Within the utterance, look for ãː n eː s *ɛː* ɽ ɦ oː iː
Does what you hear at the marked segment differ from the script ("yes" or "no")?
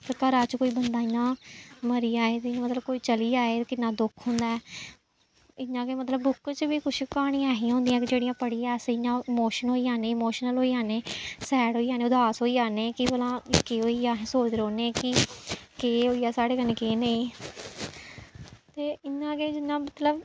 no